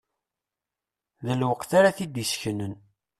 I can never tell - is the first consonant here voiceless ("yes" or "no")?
no